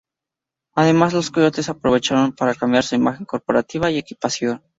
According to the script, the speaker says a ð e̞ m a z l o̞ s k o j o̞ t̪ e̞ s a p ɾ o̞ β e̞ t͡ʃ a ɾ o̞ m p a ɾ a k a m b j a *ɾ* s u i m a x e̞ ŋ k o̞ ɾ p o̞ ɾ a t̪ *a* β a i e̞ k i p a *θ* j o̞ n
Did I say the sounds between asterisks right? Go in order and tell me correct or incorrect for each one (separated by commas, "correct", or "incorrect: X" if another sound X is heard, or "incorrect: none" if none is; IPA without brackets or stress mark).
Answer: correct, incorrect: i, incorrect: s